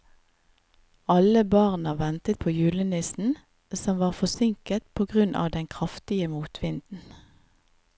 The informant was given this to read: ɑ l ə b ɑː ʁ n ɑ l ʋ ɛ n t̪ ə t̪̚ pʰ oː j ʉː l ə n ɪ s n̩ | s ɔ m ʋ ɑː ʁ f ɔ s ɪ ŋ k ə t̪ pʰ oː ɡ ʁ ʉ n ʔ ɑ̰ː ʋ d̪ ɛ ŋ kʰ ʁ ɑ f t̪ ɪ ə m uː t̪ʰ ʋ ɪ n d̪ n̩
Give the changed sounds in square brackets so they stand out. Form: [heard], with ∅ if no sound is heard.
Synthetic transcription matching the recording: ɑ l ə b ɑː ʁ n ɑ [∅] ʋ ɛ n t̪ ə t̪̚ pʰ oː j ʉː l ə n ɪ s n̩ | s ɔ m ʋ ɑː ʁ f ɔ s ɪ ŋ k ə t̪ pʰ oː ɡ ʁ ʉ n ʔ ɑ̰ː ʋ d̪ ɛ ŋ kʰ ʁ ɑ f t̪ ɪ ə m uː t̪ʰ ʋ ɪ n d̪ n̩